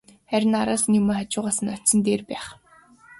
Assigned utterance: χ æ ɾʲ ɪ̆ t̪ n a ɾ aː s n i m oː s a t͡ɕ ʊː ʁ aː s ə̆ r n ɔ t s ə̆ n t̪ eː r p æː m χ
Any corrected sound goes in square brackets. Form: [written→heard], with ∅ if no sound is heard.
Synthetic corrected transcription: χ æ ɾʲ ɪ̆ [t̪→∅] n a ɾ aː s n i m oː [s→χ] a t͡ɕ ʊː ʁ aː s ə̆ [r→∅] n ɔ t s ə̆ n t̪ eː r p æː [m→∅] χ

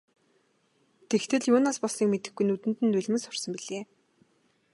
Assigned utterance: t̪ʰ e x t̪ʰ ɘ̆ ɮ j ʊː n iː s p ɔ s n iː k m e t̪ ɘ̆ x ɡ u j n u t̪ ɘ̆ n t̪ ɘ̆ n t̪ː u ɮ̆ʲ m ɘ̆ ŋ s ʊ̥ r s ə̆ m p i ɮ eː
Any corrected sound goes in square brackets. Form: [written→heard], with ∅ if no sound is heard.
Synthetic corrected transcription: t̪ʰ e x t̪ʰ ɘ̆ ɮ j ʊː n [iː→aː] s p ɔ s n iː k m e t̪ ɘ̆ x ɡ u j n u t̪ ɘ̆ n t̪ ɘ̆ n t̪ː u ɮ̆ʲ m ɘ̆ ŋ s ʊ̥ r s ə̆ m p i ɮ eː

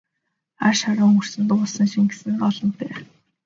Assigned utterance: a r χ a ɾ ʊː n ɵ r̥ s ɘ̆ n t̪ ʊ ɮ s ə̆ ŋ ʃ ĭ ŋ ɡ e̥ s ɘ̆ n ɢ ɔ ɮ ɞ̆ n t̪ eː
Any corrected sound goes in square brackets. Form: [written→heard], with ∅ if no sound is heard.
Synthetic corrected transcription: a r [χ→ʃ] a ɾ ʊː [n→ŋ] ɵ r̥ s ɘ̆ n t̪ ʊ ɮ s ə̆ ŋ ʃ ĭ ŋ ɡ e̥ s ɘ̆ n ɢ ɔ ɮ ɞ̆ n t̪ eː

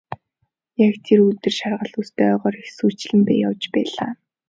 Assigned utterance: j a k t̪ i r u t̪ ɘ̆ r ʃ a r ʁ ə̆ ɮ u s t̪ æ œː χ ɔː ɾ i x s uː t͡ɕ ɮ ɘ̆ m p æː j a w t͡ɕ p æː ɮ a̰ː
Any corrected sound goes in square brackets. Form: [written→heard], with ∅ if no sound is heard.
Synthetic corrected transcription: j a k [t̪→t̪ʰ] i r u t̪ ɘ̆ r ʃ a r ʁ ə̆ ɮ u s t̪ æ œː [χ→ʁ] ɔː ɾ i x s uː t͡ɕ ɮ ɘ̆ m p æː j a w t͡ɕ p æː ɮ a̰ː

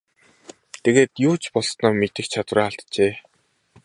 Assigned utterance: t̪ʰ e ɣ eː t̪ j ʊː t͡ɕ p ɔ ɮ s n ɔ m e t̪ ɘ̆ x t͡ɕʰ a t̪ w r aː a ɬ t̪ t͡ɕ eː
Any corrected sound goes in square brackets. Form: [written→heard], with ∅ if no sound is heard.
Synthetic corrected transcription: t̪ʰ e ɣ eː t̪ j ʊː t͡ɕ p ɔ ɮ s n [ɔ→ɔː] m e t̪ ɘ̆ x t͡ɕʰ a t̪ w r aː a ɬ t̪ t͡ɕ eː

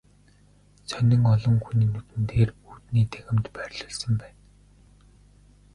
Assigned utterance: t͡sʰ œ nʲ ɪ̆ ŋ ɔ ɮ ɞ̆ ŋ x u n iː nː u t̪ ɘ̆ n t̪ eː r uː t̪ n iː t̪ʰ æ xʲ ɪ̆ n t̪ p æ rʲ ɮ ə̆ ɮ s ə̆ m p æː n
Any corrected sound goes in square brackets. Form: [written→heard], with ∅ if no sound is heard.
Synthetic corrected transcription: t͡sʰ œ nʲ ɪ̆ ŋ ɔ ɮ ɞ̆ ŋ x u n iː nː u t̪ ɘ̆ n t̪ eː r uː t̪ n iː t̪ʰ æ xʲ ɪ̆ [n→m] t̪ p æ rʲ ɮ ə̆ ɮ s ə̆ m p æː n

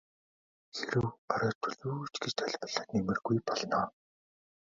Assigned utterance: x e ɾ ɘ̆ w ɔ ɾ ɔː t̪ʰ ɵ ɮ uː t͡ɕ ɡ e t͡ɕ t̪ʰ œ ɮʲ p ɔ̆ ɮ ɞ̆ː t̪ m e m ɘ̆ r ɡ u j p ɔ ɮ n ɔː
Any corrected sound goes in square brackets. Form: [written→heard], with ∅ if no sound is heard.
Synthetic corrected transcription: x e ɾ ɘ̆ w ɔ ɾ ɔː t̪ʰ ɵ ɮ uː t͡ɕ ɡ e t͡ɕ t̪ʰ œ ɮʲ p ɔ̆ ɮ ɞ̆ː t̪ [m→n] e m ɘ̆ r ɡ u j p ɔ ɮ n ɔː

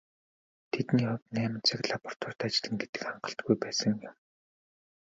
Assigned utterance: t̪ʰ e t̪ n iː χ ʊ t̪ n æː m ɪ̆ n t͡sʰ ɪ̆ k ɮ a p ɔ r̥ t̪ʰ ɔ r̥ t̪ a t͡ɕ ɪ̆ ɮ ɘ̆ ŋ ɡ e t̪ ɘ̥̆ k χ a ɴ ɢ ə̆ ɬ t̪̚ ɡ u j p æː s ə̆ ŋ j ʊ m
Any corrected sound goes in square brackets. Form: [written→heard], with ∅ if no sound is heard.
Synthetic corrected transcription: t̪ʰ e t̪ n iː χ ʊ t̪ n æː m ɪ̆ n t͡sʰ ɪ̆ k ɮ a p ɔ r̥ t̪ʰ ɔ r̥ t̪ a t͡ɕ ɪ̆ ɮ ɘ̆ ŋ ɡ e t̪ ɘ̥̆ k χ a ɴ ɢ ə̆ ɬ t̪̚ ɡ u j p æː s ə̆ ŋ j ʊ m

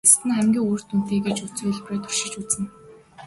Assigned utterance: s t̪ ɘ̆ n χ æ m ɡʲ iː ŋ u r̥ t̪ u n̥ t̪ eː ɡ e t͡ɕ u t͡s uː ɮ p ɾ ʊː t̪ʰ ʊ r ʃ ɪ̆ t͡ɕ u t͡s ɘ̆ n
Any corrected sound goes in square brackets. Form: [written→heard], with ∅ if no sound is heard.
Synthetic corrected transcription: s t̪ ɘ̆ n χ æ m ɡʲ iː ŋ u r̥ t̪ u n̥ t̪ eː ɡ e t͡ɕ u t͡s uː ɮ p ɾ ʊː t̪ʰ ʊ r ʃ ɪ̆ t͡ɕ u t͡s ɘ̆ n

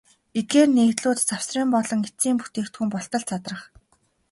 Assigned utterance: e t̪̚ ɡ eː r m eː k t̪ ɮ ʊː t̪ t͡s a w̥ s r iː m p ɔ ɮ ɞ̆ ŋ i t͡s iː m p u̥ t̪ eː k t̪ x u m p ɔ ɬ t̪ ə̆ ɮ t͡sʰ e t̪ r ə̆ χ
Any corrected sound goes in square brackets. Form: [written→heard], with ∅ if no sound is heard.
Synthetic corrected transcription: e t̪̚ ɡ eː r [m→n] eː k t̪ ɮ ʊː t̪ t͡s a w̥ s r iː m p ɔ ɮ ɞ̆ ŋ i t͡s iː m p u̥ t̪ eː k t̪ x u m p ɔ ɬ t̪ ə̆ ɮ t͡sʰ [e→a] t̪ r ə̆ χ

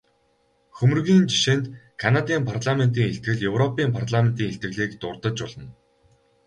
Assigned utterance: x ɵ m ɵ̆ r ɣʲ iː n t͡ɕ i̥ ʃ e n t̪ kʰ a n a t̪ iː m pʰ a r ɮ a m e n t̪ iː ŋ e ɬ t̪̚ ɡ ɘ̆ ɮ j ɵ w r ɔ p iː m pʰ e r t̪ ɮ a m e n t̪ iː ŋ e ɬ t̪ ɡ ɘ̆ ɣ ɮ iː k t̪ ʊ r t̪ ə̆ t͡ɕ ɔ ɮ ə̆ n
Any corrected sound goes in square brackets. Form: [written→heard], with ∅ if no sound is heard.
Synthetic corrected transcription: x ɵ m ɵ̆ r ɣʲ iː n t͡ɕ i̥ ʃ e n t̪ kʰ a n a t̪ iː m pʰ a r ɮ a m e n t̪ iː ŋ e ɬ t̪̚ ɡ ɘ̆ ɮ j ɵ w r ɔ p iː m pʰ [e→a] r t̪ ɮ a m e n t̪ iː ŋ e ɬ t̪ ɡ ɘ̆ ɣ ɮ iː k t̪ ʊ r t̪ ə̆ t͡ɕ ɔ ɮ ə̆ n

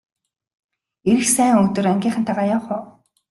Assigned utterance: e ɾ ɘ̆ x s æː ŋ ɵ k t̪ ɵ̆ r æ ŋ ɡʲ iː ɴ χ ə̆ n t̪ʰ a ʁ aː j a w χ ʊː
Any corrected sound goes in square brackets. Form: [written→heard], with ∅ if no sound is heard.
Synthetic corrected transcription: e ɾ ɘ̆ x s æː ŋ ɵ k t̪ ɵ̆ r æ ŋ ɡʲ iː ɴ χ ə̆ n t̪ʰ a ʁ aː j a w χ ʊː

